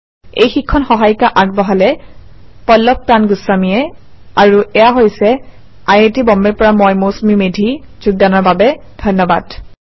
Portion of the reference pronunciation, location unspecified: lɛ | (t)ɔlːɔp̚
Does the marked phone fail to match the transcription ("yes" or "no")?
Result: yes